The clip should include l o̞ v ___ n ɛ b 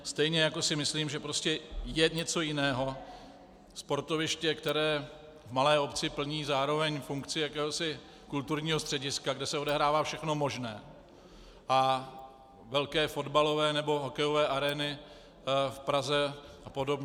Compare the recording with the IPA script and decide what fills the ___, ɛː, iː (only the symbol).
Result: ɛː